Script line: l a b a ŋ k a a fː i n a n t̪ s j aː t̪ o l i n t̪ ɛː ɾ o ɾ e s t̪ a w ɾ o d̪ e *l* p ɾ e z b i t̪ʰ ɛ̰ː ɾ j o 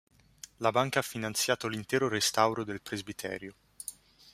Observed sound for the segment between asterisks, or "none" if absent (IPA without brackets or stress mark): l